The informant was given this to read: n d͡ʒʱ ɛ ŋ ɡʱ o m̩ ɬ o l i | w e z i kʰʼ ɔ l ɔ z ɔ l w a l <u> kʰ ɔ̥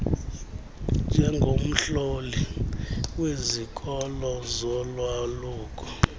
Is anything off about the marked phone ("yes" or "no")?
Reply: yes